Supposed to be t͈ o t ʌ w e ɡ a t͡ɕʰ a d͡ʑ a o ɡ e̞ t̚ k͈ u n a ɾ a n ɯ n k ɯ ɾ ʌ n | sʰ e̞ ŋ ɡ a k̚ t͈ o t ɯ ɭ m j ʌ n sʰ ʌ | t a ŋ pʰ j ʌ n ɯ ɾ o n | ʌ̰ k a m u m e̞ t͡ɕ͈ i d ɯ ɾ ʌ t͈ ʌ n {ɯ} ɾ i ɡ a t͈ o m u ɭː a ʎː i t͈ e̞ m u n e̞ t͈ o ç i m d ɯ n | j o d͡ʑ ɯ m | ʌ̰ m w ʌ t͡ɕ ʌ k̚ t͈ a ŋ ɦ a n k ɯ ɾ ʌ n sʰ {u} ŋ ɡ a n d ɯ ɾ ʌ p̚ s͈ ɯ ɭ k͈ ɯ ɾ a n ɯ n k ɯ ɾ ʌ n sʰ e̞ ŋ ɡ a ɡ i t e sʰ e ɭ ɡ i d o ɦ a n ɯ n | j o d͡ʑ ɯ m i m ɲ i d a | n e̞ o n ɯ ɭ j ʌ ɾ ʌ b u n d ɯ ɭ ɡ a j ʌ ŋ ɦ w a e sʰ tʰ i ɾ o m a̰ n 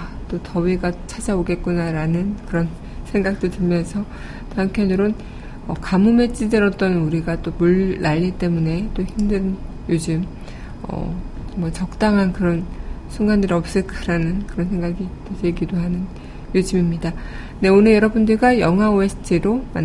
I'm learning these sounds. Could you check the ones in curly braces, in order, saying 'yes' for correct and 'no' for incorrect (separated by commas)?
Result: no, yes